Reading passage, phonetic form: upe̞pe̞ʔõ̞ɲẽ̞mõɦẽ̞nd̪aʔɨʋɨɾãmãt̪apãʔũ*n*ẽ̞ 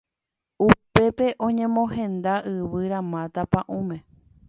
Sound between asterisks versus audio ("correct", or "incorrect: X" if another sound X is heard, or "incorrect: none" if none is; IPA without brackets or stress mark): incorrect: m